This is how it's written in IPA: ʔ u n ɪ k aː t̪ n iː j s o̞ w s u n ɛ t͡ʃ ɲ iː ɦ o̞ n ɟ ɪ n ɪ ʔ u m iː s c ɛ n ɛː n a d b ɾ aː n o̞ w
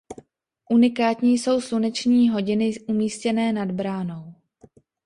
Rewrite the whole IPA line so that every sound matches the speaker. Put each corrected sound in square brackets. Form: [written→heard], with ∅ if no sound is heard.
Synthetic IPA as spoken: ʔ u n ɪ k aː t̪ [n→ɲ] iː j s o̞ w s u n ɛ t͡ʃ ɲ iː ɦ o̞ [n→∅] ɟ ɪ n ɪ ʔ u m iː s c ɛ n ɛː n a d b ɾ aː n o̞ w